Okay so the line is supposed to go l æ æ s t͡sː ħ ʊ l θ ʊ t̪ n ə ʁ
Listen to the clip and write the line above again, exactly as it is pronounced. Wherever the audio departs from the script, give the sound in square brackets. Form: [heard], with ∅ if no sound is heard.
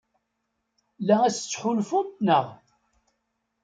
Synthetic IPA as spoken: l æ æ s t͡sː ħ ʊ l [f] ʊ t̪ n ə ʁ